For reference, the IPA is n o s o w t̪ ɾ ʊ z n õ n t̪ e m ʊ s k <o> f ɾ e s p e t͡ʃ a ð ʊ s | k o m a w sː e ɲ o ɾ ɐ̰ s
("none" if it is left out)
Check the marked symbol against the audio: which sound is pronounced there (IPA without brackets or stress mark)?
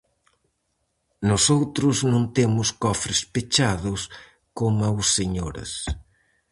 ɔ